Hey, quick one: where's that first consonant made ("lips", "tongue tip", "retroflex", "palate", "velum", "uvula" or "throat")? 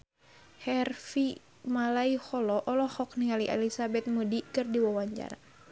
throat